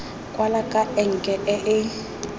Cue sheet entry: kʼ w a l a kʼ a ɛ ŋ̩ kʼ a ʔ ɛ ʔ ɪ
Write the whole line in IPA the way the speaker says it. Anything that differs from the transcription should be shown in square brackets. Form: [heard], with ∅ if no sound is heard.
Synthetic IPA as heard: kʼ w a l a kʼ a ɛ ŋ̩ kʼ [ɛ] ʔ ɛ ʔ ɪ